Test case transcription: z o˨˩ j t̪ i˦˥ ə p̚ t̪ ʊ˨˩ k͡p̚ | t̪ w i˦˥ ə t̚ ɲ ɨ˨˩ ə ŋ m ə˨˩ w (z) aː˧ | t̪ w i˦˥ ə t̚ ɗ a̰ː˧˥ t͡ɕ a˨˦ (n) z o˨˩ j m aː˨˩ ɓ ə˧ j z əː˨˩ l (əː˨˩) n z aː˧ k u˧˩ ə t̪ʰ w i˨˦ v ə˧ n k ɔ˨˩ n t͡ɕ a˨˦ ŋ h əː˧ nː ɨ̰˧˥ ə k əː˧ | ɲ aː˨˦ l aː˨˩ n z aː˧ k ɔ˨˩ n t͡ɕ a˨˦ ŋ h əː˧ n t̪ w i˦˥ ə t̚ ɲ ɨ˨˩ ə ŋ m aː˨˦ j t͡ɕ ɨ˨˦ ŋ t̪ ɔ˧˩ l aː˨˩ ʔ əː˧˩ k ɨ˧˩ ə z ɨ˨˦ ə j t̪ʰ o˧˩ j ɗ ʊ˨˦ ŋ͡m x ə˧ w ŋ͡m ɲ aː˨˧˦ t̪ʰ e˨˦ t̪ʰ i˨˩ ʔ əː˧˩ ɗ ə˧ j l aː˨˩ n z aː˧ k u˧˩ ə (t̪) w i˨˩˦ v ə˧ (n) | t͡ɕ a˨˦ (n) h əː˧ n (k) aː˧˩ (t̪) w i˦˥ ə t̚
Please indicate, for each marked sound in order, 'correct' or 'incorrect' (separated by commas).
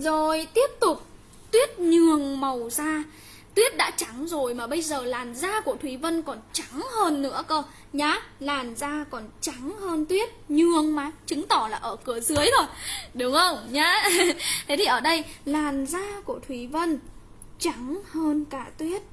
correct, incorrect, incorrect, incorrect, correct, incorrect, correct, correct